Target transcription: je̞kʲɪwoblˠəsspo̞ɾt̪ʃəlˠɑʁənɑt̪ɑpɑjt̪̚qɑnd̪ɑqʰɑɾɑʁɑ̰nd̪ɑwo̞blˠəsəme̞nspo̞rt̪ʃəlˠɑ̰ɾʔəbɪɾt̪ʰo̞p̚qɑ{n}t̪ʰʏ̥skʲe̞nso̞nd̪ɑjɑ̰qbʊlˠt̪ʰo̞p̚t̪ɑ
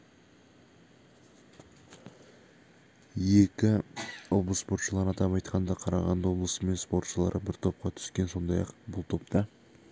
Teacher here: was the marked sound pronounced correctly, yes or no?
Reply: no